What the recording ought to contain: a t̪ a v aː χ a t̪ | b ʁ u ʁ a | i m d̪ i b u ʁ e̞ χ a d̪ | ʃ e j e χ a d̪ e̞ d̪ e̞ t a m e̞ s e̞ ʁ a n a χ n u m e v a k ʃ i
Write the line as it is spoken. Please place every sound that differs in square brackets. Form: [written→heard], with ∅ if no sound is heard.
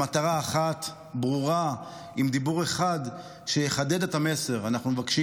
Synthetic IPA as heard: a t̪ a [v→ʁ] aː χ a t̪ | b ʁ u ʁ a | i m d̪ i b u ʁ e̞ χ a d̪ | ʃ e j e χ a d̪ e̞ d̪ e̞ t a m e̞ s e̞ ʁ a n a χ n u m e v a k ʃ i